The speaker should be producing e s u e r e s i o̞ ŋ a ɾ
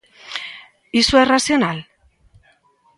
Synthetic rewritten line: i s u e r a s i o̞ n a l